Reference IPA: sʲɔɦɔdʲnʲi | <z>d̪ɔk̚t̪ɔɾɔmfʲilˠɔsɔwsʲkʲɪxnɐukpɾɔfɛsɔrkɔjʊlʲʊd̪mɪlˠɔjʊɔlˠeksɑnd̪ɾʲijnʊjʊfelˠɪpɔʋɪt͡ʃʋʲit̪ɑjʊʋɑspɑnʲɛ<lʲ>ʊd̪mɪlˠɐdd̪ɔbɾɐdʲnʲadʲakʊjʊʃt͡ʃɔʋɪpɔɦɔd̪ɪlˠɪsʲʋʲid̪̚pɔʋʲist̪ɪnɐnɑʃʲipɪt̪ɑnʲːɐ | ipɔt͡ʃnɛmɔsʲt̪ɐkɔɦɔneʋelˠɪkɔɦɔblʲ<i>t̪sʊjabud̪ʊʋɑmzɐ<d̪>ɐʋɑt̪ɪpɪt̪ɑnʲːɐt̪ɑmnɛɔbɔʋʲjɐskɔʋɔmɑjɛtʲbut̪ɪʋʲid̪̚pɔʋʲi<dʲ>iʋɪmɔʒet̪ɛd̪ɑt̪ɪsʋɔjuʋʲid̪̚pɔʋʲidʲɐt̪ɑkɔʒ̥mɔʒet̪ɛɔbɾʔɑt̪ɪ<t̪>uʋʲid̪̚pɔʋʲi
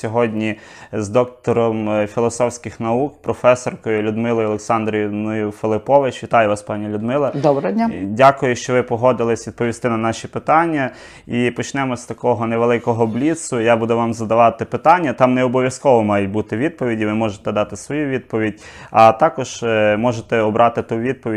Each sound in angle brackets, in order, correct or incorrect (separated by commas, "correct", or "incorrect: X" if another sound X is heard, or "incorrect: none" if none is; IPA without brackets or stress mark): correct, correct, correct, correct, correct, correct